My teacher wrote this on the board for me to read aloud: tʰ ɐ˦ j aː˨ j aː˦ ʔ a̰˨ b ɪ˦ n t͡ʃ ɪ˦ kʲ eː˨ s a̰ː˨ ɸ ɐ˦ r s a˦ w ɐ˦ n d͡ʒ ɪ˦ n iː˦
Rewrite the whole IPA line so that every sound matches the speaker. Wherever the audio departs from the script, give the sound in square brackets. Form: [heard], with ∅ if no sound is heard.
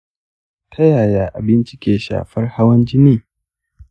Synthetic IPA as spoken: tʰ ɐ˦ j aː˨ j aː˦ ʔ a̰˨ b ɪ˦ n t͡ʃ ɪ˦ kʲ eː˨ [ʃ] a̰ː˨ ɸ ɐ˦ r [h] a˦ w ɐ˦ n d͡ʒ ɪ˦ n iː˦